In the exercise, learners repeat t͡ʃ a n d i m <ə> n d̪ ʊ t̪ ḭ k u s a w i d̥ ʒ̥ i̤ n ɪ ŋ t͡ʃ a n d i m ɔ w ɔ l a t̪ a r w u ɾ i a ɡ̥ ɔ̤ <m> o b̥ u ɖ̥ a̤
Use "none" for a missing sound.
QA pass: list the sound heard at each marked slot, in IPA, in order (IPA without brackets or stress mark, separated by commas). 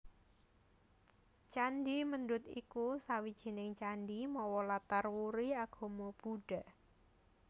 ə, m